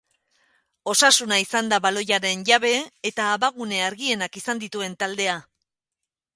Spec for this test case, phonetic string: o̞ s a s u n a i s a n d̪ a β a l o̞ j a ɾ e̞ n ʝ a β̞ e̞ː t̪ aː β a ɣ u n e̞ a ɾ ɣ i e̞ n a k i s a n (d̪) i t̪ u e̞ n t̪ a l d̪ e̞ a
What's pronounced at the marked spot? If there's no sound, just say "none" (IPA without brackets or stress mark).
d̪